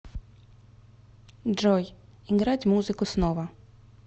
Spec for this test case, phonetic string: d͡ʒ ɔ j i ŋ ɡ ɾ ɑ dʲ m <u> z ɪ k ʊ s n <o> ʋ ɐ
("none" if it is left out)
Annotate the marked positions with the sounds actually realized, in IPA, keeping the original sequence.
u, ɔ

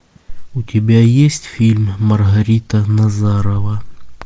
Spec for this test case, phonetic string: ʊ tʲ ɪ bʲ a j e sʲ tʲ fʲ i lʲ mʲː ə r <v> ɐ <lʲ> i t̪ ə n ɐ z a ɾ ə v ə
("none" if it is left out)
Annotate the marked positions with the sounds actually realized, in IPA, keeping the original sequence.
ɣ, ɾʲ

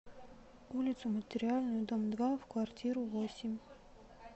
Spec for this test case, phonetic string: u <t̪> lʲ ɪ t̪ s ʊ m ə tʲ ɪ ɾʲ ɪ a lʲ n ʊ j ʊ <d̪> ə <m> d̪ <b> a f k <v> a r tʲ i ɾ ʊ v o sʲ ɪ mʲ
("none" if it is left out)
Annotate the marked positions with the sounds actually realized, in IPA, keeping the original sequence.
none, d̪, m, v, v

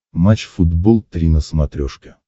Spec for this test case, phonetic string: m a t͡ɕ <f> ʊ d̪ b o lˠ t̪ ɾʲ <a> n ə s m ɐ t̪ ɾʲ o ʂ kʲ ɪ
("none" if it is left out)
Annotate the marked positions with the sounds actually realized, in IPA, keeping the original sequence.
f, i

